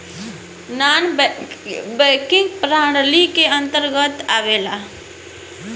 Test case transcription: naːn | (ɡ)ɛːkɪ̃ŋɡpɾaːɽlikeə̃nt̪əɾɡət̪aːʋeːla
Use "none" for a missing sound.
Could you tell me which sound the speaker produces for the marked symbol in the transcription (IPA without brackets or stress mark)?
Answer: b